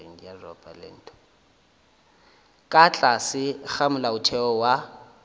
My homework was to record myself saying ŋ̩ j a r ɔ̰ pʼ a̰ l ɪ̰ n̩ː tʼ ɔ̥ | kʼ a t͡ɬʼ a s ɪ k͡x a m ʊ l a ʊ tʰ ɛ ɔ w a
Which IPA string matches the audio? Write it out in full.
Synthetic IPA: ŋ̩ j a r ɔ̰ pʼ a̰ l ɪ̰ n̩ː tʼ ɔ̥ | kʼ a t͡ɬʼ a s ɪ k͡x a m ʊ l a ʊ tʰ ɛ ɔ w a